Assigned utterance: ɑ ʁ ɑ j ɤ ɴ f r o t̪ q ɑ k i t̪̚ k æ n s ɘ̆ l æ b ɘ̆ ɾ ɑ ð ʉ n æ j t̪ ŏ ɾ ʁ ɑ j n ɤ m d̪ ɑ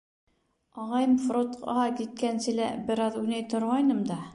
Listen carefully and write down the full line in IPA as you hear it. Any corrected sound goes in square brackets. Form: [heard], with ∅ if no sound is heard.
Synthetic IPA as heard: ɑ ʁ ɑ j ɤ [m] f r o t̪ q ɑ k i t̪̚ k æ n s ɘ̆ l æ b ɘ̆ ɾ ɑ ð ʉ n æ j t̪ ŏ ɾ ʁ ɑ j n ɤ m d̪ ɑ